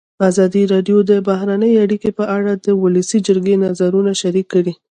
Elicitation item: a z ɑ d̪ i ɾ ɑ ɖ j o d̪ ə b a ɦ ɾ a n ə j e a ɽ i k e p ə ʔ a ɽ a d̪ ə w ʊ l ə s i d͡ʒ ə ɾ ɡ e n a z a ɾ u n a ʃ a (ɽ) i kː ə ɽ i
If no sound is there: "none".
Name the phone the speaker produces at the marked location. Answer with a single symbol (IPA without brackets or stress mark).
ɾ